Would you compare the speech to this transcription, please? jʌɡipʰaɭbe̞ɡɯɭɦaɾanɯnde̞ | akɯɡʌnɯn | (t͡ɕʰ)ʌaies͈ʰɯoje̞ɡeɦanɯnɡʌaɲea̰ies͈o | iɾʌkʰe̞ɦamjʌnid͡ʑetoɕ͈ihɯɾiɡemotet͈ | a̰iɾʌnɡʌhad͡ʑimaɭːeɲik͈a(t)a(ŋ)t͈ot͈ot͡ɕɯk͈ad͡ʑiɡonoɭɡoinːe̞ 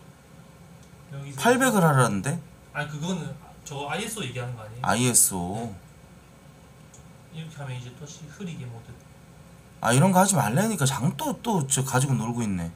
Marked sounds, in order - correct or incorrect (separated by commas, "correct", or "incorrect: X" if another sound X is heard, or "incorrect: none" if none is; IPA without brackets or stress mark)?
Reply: incorrect: t͡ɕ, incorrect: t͡ɕ, correct